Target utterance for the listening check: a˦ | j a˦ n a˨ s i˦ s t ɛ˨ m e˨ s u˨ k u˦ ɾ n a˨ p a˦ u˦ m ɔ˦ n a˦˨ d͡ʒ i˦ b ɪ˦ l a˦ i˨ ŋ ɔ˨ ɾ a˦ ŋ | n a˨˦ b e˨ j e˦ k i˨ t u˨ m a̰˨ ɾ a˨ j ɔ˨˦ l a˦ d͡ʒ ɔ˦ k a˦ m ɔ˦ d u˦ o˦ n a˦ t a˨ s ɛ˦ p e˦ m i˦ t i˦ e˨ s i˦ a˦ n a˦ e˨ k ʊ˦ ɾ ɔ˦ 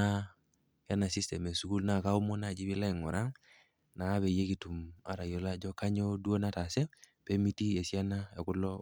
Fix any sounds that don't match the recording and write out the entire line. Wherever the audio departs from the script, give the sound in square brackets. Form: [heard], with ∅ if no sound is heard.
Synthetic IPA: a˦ | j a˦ n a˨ s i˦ s t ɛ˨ m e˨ s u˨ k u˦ [l] n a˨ [k] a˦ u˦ m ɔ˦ n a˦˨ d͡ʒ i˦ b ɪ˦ l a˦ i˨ ŋ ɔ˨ ɾ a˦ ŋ | n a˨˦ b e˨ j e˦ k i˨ t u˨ m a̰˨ ɾ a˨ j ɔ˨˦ l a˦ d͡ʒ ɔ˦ k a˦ [ɲ] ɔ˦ d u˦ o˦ n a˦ t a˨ s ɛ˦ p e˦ m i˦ t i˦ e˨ s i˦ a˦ n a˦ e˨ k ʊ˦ [l] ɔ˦

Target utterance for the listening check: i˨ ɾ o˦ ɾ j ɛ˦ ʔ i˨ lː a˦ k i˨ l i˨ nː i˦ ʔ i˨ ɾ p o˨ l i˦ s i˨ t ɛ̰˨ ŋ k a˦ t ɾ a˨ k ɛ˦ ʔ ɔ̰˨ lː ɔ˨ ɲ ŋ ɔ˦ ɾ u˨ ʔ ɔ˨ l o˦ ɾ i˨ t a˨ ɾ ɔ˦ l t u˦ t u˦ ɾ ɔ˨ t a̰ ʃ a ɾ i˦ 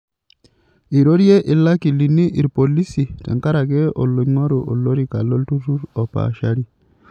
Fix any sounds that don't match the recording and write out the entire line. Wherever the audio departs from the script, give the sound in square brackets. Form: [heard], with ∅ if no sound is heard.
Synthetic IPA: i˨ ɾ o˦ ɾ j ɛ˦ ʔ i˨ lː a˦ k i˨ l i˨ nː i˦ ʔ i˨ ɾ p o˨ l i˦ s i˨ t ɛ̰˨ ŋ k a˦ [∅] ɾ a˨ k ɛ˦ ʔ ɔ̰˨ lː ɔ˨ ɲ ŋ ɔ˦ ɾ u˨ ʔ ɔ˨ l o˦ ɾ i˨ [k] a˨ [l] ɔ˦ l t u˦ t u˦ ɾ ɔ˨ [p] a̰ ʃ a ɾ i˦

